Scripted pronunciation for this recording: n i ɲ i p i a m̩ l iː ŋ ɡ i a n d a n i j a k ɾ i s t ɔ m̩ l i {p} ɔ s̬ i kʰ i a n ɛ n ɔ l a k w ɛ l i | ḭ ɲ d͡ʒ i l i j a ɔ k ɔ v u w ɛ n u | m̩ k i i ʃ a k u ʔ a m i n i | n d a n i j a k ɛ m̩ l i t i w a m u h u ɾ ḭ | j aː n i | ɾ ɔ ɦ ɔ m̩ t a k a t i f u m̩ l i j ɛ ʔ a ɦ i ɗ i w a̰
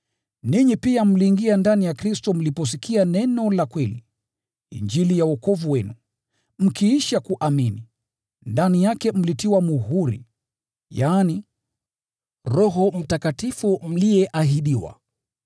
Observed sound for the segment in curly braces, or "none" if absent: p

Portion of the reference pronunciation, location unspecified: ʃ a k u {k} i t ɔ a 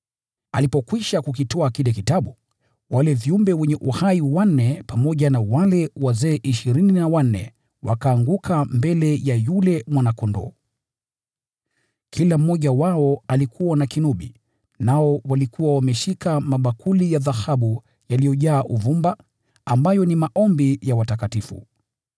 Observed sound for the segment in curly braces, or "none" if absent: k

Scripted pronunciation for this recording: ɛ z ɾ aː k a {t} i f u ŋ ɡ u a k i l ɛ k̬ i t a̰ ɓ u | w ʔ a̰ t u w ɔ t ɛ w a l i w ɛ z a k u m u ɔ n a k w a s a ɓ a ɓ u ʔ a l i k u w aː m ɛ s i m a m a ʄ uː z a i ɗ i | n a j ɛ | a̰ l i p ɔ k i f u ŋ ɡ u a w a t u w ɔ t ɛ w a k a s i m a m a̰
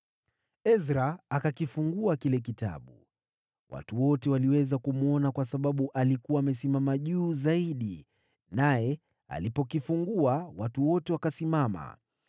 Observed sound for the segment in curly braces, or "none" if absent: k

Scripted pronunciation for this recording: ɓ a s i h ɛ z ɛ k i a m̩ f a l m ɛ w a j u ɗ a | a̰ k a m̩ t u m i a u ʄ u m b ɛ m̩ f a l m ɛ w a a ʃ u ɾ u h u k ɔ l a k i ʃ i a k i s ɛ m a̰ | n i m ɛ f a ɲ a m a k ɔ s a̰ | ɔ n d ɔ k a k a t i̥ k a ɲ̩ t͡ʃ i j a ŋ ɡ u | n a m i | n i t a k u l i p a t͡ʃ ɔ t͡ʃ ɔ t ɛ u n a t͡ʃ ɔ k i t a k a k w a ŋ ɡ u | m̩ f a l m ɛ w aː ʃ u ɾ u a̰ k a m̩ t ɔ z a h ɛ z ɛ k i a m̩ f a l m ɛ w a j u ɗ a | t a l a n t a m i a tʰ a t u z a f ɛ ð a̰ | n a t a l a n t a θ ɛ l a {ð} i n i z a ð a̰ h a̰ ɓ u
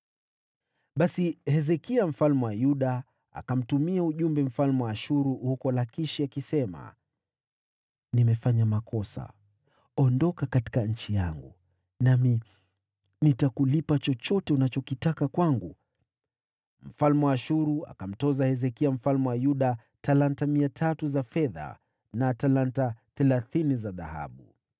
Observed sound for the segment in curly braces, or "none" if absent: θ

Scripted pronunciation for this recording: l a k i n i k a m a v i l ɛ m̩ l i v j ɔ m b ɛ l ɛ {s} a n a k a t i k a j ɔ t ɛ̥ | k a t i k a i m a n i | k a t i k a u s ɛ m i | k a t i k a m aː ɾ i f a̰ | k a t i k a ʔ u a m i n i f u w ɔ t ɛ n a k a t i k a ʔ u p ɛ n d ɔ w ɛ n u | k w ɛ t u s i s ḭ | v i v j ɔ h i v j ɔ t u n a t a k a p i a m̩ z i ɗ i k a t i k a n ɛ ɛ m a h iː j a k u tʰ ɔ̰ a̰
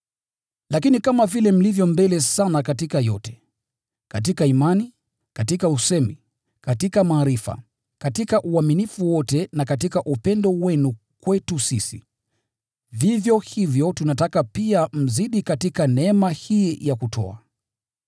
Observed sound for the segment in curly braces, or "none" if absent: s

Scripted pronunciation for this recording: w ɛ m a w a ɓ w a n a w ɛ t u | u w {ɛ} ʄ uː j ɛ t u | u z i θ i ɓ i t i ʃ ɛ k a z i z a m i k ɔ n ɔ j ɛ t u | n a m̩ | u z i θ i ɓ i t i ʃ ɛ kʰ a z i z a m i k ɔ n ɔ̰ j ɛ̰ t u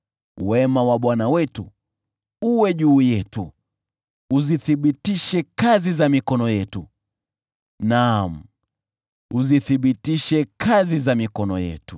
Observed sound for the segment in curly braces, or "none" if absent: ɛ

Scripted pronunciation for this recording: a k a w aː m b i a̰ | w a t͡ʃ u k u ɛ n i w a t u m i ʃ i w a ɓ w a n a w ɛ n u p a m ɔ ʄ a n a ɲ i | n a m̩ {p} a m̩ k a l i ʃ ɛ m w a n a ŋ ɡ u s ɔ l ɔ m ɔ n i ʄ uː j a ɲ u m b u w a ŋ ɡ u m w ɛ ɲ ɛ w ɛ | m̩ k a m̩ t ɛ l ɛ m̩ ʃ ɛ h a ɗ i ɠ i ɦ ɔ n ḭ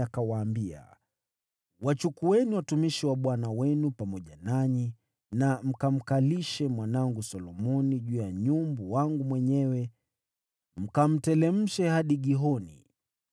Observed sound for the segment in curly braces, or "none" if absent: k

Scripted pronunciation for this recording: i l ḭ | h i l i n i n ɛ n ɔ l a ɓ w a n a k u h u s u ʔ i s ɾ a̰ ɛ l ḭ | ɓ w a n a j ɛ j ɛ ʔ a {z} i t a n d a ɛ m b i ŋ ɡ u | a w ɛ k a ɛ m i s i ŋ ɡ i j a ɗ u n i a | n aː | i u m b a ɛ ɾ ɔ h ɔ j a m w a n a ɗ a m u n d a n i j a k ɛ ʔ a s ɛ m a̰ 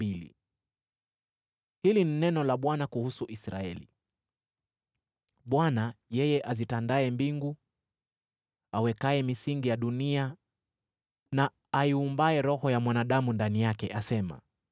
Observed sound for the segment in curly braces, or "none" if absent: z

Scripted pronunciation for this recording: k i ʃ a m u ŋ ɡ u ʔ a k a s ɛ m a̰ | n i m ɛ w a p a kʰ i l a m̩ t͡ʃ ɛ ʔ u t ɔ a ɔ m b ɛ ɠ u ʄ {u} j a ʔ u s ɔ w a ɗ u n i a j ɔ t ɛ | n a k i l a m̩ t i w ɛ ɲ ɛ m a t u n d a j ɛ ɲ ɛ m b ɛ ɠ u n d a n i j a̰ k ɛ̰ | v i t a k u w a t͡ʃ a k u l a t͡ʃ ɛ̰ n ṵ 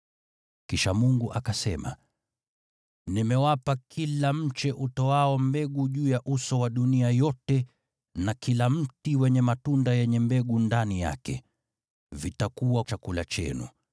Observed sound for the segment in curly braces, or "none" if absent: uː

